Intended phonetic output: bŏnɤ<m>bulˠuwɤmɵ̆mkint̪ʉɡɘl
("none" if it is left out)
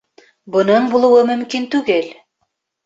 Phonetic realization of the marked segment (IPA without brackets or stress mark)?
ɴ